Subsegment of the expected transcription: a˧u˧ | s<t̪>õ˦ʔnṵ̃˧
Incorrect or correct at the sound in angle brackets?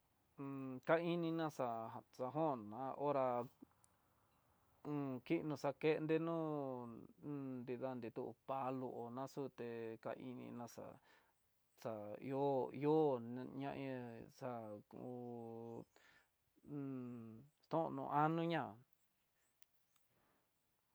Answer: correct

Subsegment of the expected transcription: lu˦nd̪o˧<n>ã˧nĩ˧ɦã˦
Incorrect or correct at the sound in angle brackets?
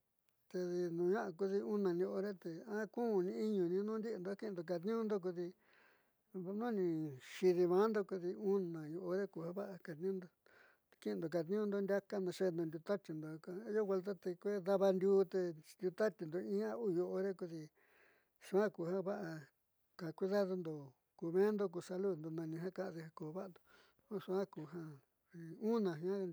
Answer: correct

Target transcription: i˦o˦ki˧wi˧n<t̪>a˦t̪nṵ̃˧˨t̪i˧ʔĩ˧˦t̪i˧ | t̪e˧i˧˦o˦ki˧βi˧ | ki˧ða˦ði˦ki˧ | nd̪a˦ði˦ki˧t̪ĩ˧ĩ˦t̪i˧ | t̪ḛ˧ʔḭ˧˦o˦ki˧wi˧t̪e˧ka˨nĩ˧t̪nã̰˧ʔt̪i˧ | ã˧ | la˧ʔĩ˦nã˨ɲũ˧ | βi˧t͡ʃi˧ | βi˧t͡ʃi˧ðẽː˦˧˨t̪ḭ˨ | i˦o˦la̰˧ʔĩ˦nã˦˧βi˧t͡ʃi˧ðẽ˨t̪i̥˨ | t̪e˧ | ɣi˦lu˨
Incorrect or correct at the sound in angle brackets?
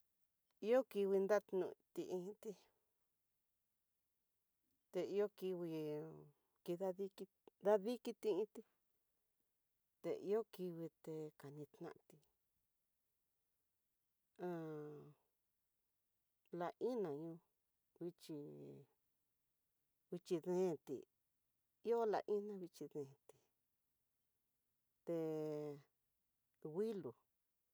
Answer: incorrect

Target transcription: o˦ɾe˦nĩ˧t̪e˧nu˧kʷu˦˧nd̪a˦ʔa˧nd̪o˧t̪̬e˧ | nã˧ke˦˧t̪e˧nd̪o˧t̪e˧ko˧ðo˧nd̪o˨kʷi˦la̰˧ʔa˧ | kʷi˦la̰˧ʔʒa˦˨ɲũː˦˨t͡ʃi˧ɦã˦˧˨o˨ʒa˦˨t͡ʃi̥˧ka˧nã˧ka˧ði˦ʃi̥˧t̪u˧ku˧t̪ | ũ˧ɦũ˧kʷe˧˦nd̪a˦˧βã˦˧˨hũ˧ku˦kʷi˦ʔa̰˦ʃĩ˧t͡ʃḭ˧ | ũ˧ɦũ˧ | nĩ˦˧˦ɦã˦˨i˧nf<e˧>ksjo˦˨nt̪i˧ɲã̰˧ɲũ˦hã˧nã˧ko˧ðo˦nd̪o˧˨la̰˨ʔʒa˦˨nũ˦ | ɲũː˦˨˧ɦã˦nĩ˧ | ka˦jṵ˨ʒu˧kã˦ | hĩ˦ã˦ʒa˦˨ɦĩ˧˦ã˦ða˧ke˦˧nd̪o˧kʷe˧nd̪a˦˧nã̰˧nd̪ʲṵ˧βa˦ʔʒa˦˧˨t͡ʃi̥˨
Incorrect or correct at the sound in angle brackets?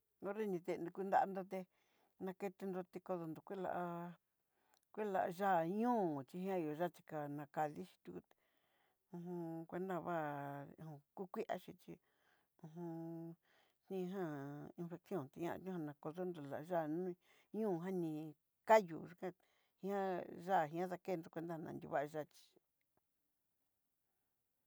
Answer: correct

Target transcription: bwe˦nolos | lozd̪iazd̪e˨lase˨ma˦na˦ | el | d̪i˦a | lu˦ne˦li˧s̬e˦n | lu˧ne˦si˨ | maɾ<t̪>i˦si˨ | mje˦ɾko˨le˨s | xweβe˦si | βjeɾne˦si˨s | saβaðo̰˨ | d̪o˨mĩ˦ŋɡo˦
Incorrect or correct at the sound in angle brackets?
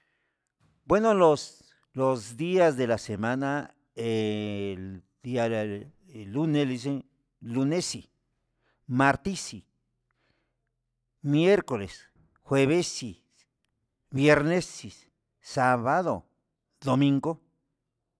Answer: correct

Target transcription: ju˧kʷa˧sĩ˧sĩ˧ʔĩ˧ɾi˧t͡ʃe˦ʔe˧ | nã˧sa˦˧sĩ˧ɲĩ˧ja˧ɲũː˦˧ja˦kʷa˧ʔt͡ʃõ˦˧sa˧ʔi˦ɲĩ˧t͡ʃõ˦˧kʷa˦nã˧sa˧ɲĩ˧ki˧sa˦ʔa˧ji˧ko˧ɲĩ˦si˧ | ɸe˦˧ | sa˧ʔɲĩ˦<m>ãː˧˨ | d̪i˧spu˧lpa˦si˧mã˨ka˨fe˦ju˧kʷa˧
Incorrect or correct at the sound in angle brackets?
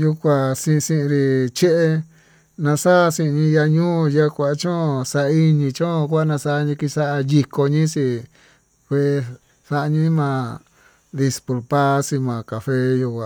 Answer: correct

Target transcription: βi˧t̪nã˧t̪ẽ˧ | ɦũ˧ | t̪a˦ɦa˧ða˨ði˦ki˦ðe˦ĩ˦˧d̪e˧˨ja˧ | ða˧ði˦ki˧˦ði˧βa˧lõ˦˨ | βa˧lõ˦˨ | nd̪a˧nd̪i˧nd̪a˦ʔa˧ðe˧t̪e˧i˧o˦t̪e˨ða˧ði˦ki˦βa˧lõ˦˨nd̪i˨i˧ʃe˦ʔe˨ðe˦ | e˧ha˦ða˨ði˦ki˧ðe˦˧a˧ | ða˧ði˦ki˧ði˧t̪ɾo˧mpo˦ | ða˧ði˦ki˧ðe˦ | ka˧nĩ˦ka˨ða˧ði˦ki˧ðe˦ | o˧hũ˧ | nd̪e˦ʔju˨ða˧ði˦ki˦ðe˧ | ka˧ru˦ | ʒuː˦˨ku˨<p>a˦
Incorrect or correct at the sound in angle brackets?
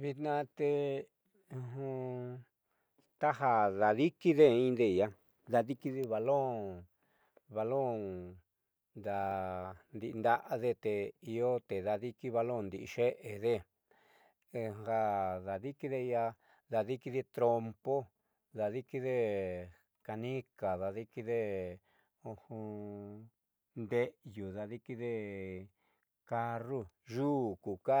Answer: incorrect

